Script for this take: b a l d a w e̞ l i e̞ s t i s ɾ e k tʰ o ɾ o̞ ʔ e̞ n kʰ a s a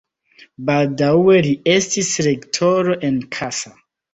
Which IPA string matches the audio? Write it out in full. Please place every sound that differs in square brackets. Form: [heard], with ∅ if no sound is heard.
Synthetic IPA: b a l d a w e̞ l i e̞ s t i s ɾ e k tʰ o ɾ o̞ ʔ e̞ n kʰ a s a